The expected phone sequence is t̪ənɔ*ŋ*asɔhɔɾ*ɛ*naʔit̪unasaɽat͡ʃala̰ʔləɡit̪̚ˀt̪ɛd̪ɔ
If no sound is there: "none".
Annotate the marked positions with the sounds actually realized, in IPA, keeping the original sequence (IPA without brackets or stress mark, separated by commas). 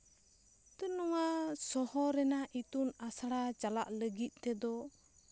ŋ, ɛ